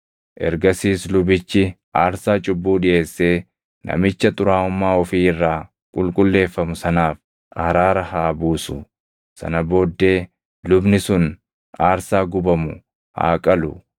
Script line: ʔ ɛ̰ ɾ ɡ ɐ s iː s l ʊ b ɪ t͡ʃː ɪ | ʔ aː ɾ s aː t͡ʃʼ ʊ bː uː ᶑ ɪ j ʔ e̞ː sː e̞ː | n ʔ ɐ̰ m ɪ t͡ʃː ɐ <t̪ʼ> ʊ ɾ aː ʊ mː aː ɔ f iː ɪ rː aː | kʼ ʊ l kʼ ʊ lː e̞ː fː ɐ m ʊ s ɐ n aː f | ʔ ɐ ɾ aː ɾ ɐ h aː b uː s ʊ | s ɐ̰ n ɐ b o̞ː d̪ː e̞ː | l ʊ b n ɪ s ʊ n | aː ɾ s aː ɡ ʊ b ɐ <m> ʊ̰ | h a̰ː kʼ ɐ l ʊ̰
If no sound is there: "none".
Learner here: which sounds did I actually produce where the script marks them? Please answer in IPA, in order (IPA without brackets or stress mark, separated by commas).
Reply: t̪ʼ, m